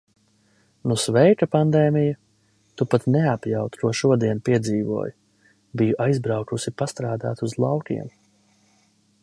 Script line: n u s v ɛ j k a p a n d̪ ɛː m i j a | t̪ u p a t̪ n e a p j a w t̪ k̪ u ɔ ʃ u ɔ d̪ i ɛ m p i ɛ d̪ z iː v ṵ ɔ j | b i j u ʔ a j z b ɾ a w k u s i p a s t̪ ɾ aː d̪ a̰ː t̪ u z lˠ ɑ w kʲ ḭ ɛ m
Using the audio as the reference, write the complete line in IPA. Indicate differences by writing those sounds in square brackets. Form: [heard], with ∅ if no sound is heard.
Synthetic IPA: n u s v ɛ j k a p a n d̪ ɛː m i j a | t̪ u p a t̪ n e a p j a w t̪ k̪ u ɔ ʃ u ɔ d̪ i ɛ [n] p i ɛ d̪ z iː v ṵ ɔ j | b i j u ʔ a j z b ɾ a w k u s i p a s t̪ ɾ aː d̪ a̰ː t̪ u z lˠ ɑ w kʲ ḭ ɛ m

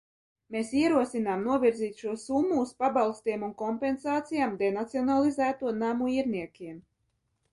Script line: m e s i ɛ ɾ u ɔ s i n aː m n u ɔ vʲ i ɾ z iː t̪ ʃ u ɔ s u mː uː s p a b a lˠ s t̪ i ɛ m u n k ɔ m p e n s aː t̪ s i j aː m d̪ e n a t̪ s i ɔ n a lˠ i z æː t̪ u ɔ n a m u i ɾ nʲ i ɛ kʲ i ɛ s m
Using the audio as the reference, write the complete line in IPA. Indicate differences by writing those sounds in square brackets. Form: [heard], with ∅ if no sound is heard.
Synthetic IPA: m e s i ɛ ɾ u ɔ s i n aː m n u ɔ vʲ i ɾ z iː t̪ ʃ u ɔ s u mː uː s p a b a lˠ s t̪ i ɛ m u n k ɔ m p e n s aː t̪ s i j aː m d̪ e n a t̪ s i ɔ n a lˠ i z æː t̪ u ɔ n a m u i ɾ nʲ i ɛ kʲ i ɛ [∅] m

